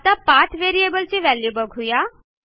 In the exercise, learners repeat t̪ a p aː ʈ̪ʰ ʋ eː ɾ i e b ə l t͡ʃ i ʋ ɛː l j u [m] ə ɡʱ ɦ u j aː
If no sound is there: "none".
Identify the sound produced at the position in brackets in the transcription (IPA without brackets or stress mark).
b